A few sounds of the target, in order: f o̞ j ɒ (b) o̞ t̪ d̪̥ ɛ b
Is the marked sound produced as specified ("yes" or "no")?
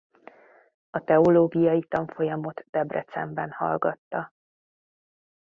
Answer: no